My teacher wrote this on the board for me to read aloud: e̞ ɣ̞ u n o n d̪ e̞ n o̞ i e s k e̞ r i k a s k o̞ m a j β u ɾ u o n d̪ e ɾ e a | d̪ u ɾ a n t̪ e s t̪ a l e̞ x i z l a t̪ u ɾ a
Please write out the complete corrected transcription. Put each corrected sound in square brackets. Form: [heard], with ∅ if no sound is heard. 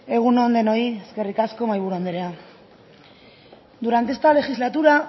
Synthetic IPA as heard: e̞ ɣ̞ u n o n d̪ e̞ n o̞ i e s k e̞ r i k a s k o̞ m a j β u ɾ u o n d̪ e ɾ e a | d̪ u ɾ a n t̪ e s t̪ a l e̞ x i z l a t̪ u ɾ a